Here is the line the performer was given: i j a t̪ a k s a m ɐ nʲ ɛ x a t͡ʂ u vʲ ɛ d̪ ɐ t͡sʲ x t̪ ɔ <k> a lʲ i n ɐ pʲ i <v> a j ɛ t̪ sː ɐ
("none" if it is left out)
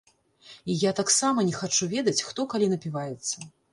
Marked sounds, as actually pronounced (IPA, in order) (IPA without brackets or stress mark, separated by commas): k, v